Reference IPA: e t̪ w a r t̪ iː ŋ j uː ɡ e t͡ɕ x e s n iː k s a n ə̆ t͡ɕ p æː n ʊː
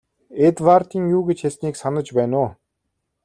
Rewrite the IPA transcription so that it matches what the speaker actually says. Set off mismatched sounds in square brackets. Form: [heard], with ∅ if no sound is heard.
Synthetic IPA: e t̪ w a r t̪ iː ŋ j uː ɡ e t͡ɕ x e s n iː k s a n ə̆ t͡ɕ p æː n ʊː